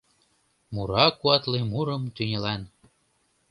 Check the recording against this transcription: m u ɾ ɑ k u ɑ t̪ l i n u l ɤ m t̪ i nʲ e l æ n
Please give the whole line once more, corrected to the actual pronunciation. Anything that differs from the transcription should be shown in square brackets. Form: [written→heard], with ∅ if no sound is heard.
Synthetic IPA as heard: m u ɾ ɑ k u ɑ t̪ l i [n→m] u [l→ɾ] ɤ m t̪ [i→y] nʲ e l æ n